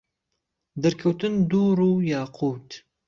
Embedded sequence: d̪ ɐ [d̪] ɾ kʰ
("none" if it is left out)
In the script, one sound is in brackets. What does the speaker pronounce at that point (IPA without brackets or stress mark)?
none